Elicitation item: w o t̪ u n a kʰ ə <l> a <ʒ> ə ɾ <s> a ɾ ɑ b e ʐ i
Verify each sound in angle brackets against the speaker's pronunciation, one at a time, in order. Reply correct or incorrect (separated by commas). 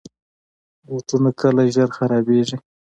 correct, correct, incorrect